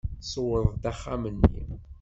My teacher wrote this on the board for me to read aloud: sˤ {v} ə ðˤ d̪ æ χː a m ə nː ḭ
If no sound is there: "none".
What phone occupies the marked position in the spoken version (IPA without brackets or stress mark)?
w